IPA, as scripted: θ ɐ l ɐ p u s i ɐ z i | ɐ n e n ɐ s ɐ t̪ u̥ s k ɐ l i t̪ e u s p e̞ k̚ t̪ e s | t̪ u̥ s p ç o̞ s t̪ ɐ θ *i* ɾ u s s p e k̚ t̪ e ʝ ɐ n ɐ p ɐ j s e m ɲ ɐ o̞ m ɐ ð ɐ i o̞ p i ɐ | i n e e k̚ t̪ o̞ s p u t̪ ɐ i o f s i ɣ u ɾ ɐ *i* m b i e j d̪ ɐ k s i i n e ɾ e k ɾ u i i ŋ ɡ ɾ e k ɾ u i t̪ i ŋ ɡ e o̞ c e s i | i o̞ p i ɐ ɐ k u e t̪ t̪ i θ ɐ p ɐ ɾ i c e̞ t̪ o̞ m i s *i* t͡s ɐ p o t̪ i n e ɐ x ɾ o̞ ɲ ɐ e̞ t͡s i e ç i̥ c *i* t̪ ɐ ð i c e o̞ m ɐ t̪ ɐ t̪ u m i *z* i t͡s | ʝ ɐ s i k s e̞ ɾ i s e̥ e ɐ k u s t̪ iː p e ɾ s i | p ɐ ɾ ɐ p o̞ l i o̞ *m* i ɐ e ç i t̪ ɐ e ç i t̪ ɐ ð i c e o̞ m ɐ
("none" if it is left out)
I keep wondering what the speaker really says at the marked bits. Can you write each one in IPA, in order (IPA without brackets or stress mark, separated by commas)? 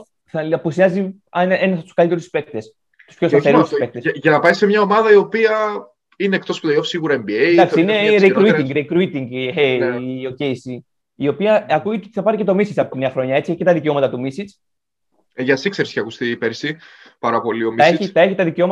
e, e, i, e, s, m